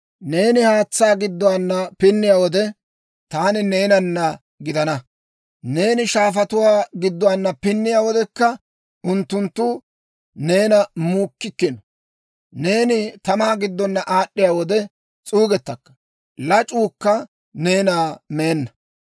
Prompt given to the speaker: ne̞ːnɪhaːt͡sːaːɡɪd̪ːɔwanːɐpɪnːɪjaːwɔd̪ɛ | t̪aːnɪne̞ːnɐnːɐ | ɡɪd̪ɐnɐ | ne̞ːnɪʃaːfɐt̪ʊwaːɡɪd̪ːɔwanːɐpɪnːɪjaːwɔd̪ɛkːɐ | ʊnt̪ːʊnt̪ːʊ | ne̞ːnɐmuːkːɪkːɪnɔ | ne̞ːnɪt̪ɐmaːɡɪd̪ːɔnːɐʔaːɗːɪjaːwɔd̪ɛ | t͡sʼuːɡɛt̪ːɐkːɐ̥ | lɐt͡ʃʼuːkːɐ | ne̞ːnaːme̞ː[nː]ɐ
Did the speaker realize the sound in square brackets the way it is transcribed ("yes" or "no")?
yes